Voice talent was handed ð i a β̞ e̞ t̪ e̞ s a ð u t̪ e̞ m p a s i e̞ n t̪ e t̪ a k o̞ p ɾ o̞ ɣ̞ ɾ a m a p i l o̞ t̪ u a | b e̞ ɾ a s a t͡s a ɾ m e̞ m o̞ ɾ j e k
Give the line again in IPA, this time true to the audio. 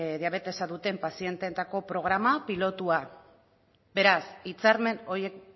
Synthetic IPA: ð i a β̞ e̞ t̪ e̞ s a ð u t̪ e̞ m p a s i e̞ n t̪ e t̪ a k o̞ p ɾ o̞ ɣ̞ ɾ a m a p i l o̞ t̪ u a | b e̞ ɾ a s i t͡s a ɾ m e̞ n o̞ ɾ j e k